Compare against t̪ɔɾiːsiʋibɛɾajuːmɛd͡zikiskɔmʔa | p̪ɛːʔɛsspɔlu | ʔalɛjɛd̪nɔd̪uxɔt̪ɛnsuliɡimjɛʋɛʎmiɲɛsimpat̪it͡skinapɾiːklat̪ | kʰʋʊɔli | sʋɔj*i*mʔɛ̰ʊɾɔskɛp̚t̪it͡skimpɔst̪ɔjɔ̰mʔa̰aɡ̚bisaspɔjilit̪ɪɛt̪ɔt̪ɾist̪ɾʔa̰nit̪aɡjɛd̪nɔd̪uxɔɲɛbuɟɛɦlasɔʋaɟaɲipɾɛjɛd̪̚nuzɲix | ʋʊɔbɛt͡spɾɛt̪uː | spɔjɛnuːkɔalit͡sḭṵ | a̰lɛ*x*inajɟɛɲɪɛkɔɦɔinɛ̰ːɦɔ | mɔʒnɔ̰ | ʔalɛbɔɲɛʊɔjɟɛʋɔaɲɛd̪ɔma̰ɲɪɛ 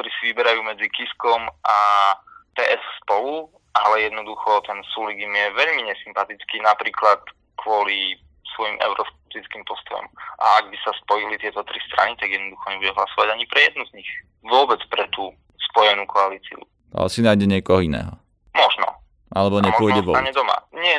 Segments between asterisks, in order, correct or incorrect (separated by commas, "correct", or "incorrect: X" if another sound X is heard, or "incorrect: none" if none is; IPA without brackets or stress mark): correct, incorrect: s